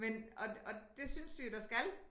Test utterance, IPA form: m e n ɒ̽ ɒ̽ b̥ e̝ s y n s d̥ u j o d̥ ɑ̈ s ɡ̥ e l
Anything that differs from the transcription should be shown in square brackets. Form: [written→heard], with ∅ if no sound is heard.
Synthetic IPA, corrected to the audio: m e n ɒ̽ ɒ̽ [b̥→d̥] e̝ s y n s d̥ u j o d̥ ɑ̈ s ɡ̥ [e→æ] l